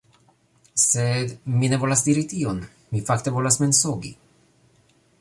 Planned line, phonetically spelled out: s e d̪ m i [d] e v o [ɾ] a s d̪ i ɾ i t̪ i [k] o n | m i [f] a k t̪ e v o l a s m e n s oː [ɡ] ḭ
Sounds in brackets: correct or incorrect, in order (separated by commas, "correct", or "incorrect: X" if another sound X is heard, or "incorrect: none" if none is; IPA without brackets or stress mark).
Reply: incorrect: n, incorrect: l, incorrect: none, correct, correct